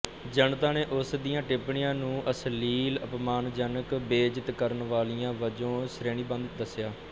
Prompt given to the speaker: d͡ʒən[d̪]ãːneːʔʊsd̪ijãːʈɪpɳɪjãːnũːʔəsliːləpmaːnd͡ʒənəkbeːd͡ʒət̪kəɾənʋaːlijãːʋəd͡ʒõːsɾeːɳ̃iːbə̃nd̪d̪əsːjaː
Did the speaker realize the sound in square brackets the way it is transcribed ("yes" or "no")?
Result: no